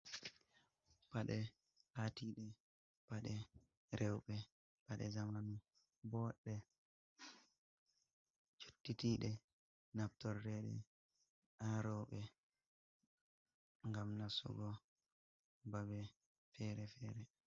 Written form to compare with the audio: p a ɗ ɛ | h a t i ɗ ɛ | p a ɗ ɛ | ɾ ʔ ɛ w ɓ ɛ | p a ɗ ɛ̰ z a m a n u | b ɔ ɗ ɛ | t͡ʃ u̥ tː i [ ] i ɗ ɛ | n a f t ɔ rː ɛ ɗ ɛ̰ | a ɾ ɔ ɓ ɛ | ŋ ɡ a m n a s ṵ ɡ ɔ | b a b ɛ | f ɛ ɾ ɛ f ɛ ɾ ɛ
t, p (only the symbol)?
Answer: t